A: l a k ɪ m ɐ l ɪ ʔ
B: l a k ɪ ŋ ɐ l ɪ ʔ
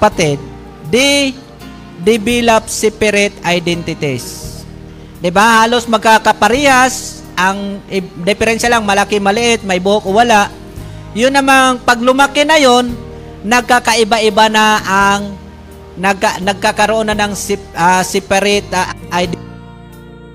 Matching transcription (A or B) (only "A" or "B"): A